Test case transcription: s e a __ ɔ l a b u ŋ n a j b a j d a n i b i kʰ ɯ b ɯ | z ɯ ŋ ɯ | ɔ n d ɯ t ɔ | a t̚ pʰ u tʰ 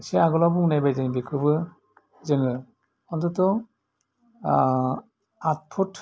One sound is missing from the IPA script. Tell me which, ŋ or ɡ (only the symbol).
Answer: ɡ